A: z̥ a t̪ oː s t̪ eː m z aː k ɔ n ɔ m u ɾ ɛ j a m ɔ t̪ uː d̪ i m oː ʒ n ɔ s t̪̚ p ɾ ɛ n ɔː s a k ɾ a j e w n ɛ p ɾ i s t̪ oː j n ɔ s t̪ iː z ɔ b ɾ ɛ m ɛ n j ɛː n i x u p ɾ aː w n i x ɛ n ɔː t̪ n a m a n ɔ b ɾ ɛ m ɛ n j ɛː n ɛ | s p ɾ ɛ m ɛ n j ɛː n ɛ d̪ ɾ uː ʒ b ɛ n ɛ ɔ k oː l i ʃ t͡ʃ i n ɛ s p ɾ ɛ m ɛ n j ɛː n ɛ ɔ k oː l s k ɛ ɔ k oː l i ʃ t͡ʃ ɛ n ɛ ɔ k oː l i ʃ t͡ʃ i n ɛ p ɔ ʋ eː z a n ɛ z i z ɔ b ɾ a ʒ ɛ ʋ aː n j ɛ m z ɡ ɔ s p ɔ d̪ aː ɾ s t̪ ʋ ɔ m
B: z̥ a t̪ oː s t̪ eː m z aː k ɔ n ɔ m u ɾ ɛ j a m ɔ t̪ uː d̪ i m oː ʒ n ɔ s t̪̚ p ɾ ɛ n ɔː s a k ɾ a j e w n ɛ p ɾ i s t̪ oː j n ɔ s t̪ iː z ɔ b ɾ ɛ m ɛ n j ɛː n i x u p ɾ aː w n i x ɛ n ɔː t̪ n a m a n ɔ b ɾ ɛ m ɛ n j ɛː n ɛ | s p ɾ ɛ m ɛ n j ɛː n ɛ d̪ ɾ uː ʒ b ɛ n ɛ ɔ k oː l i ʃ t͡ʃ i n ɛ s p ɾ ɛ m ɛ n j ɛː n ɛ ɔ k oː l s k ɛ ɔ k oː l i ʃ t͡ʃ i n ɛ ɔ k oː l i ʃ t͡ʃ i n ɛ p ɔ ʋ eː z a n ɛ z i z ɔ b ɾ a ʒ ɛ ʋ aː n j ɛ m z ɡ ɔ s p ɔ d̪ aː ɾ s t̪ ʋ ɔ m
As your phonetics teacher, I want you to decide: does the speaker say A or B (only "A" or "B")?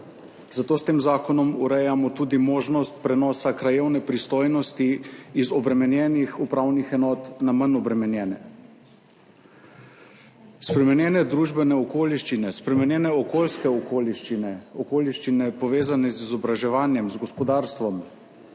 B